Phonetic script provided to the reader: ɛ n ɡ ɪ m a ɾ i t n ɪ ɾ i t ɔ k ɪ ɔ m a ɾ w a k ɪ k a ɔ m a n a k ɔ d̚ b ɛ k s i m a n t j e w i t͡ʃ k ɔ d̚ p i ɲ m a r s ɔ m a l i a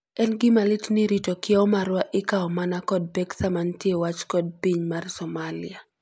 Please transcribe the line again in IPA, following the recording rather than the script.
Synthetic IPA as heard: ɛ n ɡ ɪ m a l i t n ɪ ɾ i t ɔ k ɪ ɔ m a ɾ w a ʔ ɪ k a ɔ m a n a k ɔ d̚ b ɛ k s a m a n t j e w a t͡ʃ k ɔ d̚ p i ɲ m a r s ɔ m a l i a